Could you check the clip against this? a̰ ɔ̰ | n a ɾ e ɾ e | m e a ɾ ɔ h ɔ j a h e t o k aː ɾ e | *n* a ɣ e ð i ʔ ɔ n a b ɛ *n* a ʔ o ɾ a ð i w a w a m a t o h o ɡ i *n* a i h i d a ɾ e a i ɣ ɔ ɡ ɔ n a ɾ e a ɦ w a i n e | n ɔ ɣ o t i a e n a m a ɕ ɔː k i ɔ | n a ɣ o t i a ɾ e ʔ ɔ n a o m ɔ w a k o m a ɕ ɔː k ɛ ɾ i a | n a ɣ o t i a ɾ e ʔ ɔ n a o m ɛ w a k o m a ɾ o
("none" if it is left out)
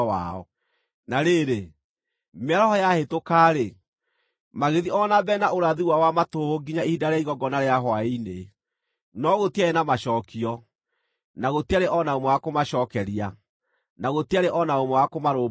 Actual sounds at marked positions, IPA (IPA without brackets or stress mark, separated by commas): m, n, ɲ